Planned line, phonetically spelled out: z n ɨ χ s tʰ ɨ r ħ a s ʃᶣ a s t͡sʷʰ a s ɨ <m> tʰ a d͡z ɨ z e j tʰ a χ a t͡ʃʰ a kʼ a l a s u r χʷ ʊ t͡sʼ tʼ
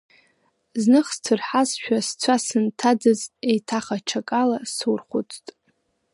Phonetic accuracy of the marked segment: incorrect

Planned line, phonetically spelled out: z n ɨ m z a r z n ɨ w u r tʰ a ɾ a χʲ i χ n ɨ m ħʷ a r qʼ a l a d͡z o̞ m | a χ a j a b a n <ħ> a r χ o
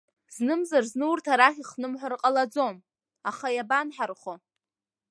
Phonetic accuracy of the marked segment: correct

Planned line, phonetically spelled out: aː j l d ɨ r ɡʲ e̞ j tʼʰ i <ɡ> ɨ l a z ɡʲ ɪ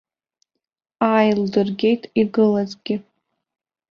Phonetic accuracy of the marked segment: correct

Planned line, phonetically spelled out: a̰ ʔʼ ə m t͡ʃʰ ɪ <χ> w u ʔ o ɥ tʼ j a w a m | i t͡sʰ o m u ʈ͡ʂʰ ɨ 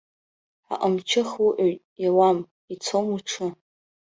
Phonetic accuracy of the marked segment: correct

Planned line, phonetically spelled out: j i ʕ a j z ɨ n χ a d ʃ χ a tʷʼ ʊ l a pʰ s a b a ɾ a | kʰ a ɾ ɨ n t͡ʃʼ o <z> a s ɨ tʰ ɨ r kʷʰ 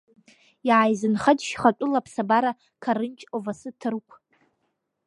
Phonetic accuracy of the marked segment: incorrect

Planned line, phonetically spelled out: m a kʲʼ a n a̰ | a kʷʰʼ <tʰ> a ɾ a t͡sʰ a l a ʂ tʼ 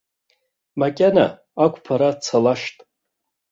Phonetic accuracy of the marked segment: incorrect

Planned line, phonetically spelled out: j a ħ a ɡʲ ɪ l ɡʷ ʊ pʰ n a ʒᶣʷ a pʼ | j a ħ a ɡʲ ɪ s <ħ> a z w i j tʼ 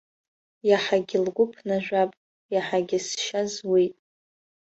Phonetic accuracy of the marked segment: incorrect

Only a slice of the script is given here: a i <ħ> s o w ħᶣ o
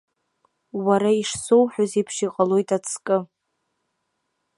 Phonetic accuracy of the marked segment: incorrect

